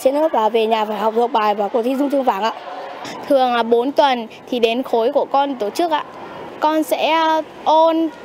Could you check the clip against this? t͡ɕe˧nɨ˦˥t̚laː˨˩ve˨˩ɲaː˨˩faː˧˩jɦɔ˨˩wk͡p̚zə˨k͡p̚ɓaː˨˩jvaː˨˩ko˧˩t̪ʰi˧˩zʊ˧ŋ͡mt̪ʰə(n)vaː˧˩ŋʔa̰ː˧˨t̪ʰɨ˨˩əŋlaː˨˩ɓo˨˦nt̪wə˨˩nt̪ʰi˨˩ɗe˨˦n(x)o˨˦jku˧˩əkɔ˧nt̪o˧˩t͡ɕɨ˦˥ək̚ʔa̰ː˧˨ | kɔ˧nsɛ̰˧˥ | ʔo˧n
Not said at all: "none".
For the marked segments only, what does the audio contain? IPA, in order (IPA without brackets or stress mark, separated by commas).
ŋ, x